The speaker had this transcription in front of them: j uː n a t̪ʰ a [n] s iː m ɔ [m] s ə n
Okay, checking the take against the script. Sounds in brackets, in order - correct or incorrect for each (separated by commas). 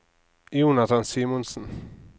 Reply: correct, incorrect